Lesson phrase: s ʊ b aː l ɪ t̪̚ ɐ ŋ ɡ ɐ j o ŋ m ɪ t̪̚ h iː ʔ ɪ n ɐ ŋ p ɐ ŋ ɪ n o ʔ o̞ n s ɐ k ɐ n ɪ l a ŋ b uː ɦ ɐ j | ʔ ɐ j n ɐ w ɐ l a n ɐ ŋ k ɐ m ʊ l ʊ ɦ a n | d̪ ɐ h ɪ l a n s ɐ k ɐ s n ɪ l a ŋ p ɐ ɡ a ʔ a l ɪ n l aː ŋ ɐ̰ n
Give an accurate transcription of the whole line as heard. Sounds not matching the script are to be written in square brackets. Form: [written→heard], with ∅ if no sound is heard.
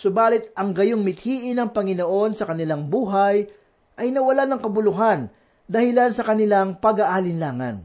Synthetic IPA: s ʊ b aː l ɪ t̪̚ ɐ ŋ ɡ ɐ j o ŋ m ɪ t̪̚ h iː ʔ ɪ n ɐ ŋ p ɐ ŋ ɪ n o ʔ o̞ n s ɐ k ɐ n ɪ l a ŋ b uː ɦ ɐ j | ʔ ɐ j n ɐ w ɐ l a n ɐ ŋ k ɐ [m→b] ʊ l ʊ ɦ a n | d̪ ɐ h ɪ l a n s ɐ k ɐ [s→∅] n ɪ l a ŋ p ɐ ɡ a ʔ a l ɪ n l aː ŋ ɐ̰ n